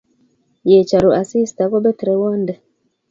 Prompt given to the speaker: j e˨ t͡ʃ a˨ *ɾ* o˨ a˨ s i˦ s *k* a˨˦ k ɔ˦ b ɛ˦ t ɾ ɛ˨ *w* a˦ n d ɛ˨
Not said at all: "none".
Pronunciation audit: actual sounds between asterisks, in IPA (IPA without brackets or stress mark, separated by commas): ɾ, t, w